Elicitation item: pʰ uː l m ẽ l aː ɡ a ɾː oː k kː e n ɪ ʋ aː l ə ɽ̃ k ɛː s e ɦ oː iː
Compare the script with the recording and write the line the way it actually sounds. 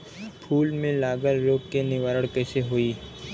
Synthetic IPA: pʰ uː l m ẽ l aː ɡ ə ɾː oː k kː e n ɪ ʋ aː ɾ ə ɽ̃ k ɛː s e ɦ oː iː